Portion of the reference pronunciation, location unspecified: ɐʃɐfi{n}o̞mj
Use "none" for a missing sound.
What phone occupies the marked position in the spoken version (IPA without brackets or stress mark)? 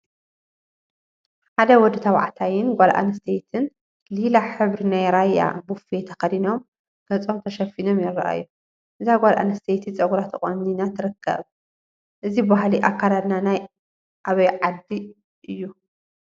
n